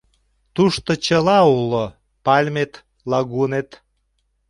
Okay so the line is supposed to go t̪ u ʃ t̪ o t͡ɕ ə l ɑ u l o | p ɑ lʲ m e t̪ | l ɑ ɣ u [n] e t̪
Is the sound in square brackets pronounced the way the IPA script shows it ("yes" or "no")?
yes